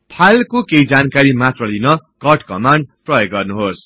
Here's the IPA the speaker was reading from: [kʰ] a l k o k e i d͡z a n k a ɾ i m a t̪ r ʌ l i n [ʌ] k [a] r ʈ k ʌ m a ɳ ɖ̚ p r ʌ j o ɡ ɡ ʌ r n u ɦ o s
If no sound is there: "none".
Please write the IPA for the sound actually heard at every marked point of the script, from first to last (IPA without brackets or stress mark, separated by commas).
pʰ, ʌ, ʌ